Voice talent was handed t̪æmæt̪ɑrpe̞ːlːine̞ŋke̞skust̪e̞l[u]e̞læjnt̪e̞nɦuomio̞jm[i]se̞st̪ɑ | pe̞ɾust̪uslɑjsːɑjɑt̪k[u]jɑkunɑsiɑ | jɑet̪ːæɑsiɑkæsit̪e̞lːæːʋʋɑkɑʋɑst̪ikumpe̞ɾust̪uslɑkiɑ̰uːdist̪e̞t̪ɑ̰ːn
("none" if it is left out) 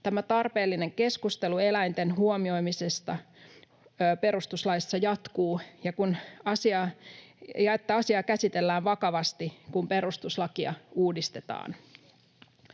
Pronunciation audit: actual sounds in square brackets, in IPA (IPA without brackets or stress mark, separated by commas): u, i, uː